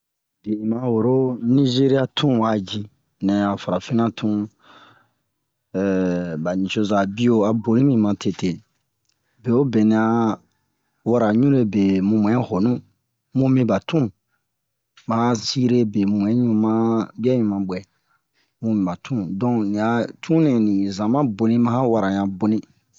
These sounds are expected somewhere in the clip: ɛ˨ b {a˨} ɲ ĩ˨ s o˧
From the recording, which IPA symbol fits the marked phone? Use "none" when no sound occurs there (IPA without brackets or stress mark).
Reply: a˨